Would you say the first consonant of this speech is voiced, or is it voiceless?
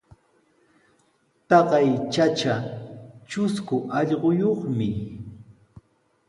voiceless